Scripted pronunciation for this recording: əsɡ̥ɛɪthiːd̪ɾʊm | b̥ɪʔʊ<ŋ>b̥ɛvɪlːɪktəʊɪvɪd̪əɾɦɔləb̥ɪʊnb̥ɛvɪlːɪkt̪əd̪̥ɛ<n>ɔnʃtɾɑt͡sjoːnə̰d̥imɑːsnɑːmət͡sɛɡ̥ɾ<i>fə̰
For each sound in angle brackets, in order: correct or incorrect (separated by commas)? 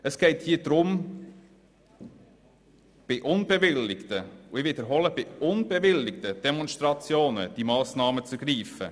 incorrect, incorrect, incorrect